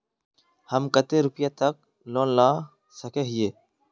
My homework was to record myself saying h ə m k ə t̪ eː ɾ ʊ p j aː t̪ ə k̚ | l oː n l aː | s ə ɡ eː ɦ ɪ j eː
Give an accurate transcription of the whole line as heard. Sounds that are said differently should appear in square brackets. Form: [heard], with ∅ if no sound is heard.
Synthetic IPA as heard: h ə m k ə t̪ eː ɾ ʊ p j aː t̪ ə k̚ | l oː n l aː | s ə [k] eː ɦ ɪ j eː